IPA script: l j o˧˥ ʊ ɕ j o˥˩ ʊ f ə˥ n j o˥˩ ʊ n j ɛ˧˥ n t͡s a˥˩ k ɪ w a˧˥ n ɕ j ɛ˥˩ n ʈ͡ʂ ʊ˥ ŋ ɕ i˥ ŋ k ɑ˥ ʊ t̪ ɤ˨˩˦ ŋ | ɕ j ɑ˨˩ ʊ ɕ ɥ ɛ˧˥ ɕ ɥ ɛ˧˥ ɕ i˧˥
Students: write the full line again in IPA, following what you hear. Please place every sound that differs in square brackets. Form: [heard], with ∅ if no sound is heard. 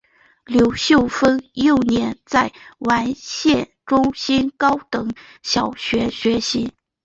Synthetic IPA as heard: l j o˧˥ ʊ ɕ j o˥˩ ʊ f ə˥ n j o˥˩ ʊ n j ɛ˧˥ n t͡s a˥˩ [∅] ɪ w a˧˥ n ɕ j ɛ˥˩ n ʈ͡ʂ ʊ˥ ŋ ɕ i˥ [n] k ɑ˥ ʊ t̪ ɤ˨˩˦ ŋ | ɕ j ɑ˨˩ ʊ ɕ ɥ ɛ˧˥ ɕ ɥ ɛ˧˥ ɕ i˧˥

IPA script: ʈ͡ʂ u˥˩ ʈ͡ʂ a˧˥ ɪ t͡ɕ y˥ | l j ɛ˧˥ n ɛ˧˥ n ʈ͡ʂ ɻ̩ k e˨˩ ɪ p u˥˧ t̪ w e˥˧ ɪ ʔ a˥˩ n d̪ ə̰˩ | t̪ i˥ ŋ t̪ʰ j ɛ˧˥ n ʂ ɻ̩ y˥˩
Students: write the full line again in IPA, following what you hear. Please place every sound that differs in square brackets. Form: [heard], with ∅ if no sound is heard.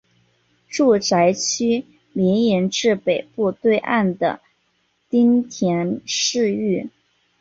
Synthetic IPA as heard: ʈ͡ʂ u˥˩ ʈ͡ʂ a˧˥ ɪ [t͡ɕʰ] y˥ | l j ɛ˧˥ n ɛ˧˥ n ʈ͡ʂ ɻ̩ [p] e˨˩ ɪ p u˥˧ t̪ w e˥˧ ɪ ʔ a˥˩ n d̪ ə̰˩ | t̪ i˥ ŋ t̪ʰ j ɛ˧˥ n ʂ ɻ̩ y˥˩

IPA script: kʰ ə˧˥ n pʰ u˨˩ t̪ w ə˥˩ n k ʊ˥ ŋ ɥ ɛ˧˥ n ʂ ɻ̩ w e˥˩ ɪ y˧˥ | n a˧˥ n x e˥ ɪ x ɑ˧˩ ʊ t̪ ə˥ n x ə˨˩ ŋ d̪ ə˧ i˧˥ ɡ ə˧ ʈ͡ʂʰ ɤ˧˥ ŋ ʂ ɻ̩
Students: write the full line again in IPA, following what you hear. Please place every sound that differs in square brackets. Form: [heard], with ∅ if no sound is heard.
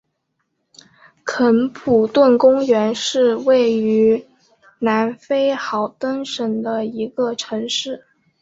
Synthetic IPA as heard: kʰ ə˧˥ n pʰ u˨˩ t̪ w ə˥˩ n k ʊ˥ ŋ ɥ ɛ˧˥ n ʂ ɻ̩ w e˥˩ ɪ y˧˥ | n a˧˥ n [f] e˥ ɪ x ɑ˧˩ ʊ t̪ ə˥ n [ʂ] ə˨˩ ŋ d̪ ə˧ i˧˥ ɡ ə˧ ʈ͡ʂʰ ɤ˧˥ ŋ ʂ ɻ̩

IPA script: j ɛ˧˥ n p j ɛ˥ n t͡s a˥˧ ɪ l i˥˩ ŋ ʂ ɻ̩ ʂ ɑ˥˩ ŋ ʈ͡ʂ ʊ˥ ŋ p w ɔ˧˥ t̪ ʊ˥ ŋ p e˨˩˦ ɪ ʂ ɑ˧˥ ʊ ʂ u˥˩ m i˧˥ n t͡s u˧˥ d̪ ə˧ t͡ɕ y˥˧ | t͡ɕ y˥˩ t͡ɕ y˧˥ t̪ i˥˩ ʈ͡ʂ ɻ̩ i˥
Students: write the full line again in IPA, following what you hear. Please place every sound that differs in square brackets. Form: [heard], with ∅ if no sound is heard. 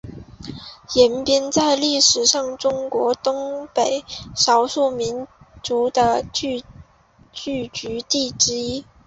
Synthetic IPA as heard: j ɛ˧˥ n p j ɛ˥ n t͡s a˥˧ ɪ l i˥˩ [∅] ʂ ɻ̩ ʂ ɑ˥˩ ŋ ʈ͡ʂ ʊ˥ ŋ [k] w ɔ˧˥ t̪ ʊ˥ ŋ p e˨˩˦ ɪ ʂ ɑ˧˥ ʊ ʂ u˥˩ m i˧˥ n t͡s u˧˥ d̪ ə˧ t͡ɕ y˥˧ | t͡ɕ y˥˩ t͡ɕ y˧˥ t̪ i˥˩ ʈ͡ʂ ɻ̩ i˥

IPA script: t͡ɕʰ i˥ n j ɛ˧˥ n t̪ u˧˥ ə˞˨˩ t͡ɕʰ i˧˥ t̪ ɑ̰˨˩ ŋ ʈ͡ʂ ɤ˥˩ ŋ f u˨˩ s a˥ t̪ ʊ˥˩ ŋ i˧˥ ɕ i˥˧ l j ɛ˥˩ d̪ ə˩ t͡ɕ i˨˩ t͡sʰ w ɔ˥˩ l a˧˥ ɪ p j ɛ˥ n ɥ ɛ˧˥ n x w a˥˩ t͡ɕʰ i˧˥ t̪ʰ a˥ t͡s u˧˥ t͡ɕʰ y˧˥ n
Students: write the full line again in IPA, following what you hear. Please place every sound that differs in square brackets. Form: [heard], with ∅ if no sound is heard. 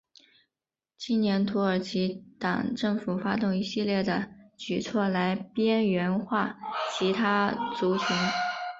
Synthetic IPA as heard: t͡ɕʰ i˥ n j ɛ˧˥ n [t̪ʰ] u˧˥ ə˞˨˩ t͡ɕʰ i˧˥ t̪ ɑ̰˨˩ ŋ ʈ͡ʂ ɤ˥˩ ŋ f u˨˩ [f] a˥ t̪ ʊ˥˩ ŋ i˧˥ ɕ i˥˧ l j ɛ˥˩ d̪ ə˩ t͡ɕ [y˨˩] t͡sʰ w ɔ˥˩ l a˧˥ ɪ p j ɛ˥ n ɥ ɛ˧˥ n x w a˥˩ t͡ɕʰ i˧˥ t̪ʰ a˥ t͡s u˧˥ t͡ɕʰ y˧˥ n

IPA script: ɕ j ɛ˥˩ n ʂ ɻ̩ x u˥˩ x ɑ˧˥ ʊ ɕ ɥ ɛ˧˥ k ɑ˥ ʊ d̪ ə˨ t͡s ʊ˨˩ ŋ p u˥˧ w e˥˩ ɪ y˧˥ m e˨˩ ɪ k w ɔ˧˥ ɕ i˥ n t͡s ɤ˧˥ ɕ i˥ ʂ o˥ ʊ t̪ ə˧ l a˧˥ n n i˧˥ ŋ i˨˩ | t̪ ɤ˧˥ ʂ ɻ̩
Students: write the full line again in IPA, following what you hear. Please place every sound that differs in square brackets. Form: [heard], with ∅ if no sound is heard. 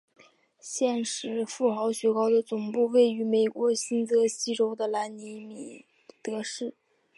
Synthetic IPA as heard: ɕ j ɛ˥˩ n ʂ ɻ̩ [f] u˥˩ x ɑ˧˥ ʊ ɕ ɥ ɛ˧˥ k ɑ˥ ʊ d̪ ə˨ t͡s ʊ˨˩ ŋ p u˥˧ w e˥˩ ɪ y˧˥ m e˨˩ ɪ k w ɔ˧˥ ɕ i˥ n t͡s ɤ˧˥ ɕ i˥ [ʈ͡ʂ] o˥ ʊ [d̪] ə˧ l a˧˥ n n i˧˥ [m] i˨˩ | t̪ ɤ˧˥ ʂ ɻ̩

